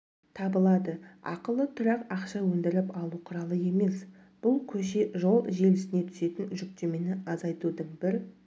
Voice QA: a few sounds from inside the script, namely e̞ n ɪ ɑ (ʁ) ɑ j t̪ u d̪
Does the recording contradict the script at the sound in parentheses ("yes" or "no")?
yes